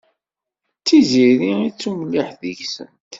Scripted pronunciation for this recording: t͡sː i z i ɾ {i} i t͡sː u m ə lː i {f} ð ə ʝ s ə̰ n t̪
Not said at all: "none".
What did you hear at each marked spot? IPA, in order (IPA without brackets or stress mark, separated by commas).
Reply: i, ħ